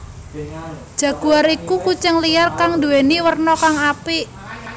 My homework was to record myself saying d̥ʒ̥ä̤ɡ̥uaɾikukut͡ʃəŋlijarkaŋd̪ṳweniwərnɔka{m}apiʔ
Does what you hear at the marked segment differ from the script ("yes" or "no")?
yes